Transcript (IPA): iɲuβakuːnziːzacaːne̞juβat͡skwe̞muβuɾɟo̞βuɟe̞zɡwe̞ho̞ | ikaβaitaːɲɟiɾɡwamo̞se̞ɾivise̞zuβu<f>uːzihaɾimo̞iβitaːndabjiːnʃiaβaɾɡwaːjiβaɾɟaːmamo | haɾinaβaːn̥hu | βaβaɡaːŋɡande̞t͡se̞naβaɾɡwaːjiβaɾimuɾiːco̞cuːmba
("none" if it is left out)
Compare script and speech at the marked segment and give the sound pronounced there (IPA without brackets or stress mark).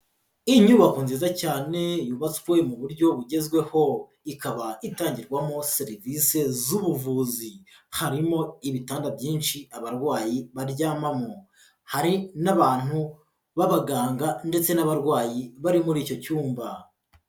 v